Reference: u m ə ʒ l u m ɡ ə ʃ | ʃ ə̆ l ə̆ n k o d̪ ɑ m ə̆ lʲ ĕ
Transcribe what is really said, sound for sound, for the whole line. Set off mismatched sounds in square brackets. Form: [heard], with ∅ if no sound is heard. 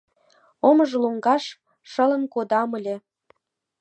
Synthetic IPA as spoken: [o] m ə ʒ l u [ŋ] ɡ [ɑ] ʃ | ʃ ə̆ l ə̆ n k o d̪ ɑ m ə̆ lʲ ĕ